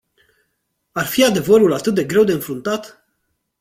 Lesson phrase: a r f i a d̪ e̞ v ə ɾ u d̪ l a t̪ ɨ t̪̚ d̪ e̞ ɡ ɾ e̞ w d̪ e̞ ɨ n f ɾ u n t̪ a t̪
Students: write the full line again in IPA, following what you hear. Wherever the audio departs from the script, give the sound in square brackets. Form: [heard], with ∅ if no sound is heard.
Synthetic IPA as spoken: a r f i a d̪ e̞ v ə ɾ u [∅] l a t̪ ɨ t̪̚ d̪ e̞ ɡ ɾ e̞ w d̪ e̞ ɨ n f ɾ u n t̪ a t̪

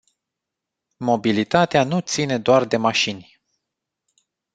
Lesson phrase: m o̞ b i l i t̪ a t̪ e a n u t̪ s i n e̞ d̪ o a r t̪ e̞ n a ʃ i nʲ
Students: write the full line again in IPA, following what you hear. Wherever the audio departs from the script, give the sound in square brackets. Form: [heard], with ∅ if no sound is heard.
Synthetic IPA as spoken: m o̞ b i l i t̪ a t̪ e a n u t̪ s i n e̞ d̪ o a r [d̪] e̞ [m] a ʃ i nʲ

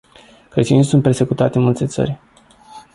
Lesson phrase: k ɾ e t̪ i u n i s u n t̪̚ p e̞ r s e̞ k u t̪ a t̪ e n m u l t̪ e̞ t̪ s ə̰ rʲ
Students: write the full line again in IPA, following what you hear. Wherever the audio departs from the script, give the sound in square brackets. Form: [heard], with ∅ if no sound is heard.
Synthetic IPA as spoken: k ɾ e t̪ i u n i s u n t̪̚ p e̞ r s e̞ k u t̪ a t̪ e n m u l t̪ e̞ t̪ s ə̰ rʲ

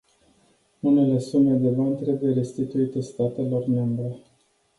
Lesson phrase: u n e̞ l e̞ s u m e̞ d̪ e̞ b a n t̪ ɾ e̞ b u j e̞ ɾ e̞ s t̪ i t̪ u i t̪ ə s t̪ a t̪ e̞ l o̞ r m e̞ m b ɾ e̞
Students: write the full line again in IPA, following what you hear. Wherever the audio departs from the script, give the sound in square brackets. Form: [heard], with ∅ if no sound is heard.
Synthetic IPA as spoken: u n e̞ l e̞ s u m e̞ d̪ e̞ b a n t̪ ɾ e̞ b u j e̞ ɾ e̞ s t̪ i t̪ u i t̪ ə s t̪ a t̪ e̞ l o̞ r m e̞ m b ɾ e̞

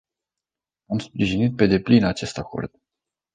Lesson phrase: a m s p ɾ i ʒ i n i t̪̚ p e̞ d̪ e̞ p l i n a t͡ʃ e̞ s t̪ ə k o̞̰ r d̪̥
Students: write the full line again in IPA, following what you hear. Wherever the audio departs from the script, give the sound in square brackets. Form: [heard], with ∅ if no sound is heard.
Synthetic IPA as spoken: a m s p ɾ i ʒ i n i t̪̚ p e̞ d̪ e̞ p l i n a t͡ʃ e̞ s t̪ [a] k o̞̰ r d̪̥

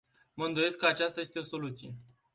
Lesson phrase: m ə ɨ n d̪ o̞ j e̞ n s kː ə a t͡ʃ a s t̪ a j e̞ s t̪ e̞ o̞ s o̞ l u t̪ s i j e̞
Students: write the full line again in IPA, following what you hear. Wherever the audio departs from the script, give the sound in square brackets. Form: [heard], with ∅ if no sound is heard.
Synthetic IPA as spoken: m ə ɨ n d̪ o̞ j e̞ [∅] s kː ə a t͡ʃ a s t̪ a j e̞ s t̪ e̞ o̞ s o̞ l u t̪ s i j e̞

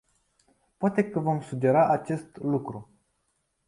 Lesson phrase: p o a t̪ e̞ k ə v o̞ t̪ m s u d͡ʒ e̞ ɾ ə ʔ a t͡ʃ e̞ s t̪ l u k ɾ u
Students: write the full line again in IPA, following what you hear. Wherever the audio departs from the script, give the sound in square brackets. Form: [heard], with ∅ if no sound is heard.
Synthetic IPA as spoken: p o a t̪ e̞ k ə v o̞ [∅] m s u d͡ʒ e̞ ɾ [a] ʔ a t͡ʃ e̞ s t̪ l u k ɾ u

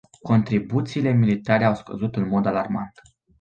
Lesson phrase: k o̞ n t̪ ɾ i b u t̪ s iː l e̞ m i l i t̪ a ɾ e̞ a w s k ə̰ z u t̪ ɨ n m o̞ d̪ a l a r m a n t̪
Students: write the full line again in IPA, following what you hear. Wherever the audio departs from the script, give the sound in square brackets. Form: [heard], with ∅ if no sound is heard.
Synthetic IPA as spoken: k o̞ n t̪ ɾ i b u t̪ s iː l e̞ m i l i t̪ a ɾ e̞ a w s k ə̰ z u t̪ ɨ n m o̞ d̪ a l a r m a n t̪

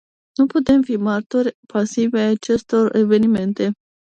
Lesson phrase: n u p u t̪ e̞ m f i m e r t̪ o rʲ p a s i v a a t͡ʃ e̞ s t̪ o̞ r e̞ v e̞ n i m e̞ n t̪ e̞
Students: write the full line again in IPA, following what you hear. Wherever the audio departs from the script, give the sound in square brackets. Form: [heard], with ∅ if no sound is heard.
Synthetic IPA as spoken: n u p u t̪ e̞ m f i m [a] r t̪ o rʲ p a s i v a a t͡ʃ e̞ s t̪ o̞ r e̞ v e̞ n i m e̞ n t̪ e̞

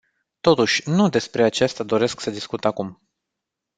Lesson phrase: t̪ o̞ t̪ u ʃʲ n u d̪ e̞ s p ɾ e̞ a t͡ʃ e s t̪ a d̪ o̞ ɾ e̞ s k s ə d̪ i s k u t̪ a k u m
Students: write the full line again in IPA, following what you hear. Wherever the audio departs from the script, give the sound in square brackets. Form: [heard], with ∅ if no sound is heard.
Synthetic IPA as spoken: t̪ o̞ t̪ u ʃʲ n u d̪ e̞ s p ɾ e̞ a t͡ʃ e s t̪ a d̪ o̞ ɾ e̞ s k s ə d̪ i s k u t̪ a k u m

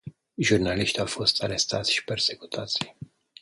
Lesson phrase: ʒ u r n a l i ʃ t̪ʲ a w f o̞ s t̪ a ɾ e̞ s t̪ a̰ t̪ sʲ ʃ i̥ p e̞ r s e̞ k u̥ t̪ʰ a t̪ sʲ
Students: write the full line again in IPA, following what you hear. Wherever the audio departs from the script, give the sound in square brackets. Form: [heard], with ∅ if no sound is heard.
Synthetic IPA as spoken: ʒ u r n a l i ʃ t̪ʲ a w f o̞ s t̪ a ɾ e̞ s t̪ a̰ t̪ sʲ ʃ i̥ p e̞ r s e̞ k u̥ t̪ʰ a t̪ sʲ

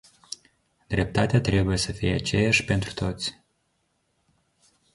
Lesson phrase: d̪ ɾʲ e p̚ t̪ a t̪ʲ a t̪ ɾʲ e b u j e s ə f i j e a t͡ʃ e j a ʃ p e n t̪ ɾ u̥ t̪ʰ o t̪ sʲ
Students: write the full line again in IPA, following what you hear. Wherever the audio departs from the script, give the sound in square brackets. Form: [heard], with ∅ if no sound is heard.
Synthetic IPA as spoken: d̪ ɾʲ e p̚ t̪ a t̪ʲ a t̪ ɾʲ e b u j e s ə f i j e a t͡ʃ e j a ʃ p e n t̪ ɾ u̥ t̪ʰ o t̪ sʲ

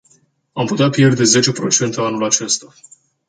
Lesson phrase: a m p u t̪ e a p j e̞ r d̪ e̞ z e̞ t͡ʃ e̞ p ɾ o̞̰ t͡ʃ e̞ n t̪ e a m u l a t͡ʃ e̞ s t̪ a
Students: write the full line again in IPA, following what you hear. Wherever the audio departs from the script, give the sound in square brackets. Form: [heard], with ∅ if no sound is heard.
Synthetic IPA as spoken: a m p u t̪ e a p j e̞ r d̪ e̞ z e̞ t͡ʃ e̞ p ɾ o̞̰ t͡ʃ e̞ n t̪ e a [n] u l a t͡ʃ e̞ s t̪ a

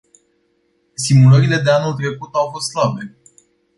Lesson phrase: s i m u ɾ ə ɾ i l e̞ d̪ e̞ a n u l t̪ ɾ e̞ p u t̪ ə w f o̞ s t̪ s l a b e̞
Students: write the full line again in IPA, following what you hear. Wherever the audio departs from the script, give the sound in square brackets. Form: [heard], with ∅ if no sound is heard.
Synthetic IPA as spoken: s i m u [l] ə ɾ i l e̞ d̪ e̞ a n u l t̪ ɾ e̞ [k] u t̪ [a] w f o̞ s t̪ s l a b e̞

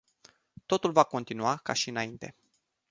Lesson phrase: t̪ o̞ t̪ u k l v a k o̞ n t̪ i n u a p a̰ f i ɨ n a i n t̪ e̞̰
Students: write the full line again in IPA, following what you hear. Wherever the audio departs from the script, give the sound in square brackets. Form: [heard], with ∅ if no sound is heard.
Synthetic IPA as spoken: t̪ o̞ t̪ u [∅] l v a k o̞ n t̪ i n u a [k] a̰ [ʃ] i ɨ n a i n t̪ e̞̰

